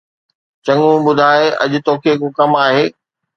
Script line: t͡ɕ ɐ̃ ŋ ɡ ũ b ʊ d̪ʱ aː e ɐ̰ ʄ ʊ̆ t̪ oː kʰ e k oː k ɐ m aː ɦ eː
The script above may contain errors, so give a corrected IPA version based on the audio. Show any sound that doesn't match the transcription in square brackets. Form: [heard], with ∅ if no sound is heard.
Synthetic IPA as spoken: t͡ɕ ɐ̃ ŋ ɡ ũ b ʊ d̪ʱ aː e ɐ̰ ʄ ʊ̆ t̪ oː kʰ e k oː k ɐ m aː ɦ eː